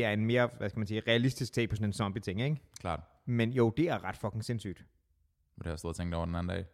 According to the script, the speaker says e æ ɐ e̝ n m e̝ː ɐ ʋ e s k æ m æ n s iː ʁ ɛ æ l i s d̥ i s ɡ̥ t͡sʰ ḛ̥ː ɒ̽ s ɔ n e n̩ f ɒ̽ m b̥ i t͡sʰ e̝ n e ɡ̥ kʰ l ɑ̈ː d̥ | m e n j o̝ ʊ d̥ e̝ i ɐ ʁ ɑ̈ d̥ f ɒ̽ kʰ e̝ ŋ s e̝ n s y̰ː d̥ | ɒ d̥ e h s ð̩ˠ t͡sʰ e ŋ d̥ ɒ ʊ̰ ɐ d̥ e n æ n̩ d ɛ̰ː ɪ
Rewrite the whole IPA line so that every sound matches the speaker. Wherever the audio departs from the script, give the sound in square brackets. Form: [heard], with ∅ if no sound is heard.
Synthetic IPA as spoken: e æ ɐ e̝ n m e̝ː ɐ ʋ [æ] s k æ m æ n s iː ʁ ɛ æ l i s d̥ i s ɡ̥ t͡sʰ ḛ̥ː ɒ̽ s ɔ n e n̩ [s] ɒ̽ m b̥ i t͡sʰ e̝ [ŋ] e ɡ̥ kʰ l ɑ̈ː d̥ | m e n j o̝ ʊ d̥ e̝ [æ] ɐ ʁ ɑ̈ d̥ f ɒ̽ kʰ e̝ ŋ s e̝ n s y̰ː d̥ | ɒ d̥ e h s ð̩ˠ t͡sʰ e ŋ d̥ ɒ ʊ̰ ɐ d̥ e n æ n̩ d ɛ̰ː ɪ